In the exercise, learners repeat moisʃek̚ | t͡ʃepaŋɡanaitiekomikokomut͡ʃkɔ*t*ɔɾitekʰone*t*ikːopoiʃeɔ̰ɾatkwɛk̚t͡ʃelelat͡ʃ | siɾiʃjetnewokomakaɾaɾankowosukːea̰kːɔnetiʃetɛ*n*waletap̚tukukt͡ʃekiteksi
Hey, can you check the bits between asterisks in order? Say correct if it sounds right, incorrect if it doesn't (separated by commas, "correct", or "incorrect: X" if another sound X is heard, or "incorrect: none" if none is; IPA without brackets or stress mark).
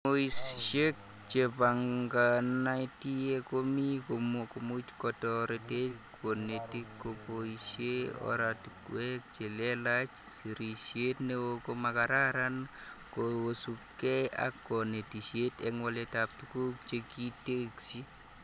correct, correct, incorrect: ŋ